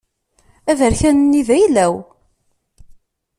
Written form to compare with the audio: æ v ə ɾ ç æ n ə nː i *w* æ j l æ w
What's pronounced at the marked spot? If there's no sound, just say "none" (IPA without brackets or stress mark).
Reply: v